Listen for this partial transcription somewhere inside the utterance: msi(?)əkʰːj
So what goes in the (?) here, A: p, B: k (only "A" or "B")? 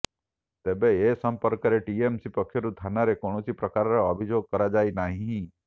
A